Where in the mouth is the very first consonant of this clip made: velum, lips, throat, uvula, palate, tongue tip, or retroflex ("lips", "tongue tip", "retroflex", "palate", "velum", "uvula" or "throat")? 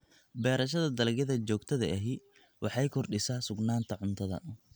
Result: lips